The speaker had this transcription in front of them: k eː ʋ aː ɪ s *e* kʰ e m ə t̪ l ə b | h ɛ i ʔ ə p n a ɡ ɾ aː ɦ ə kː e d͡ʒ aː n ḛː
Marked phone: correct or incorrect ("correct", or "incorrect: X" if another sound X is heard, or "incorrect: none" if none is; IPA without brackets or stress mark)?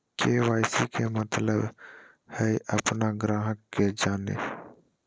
incorrect: i